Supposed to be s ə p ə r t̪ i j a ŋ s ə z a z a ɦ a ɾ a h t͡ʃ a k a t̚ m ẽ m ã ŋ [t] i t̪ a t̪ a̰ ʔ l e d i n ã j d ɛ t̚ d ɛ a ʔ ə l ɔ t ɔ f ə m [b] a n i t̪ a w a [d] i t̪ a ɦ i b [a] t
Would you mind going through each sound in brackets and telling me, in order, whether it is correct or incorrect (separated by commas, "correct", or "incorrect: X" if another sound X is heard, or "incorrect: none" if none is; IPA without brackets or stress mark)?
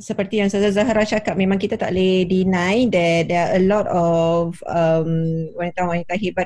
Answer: incorrect: k, incorrect: w, incorrect: n, correct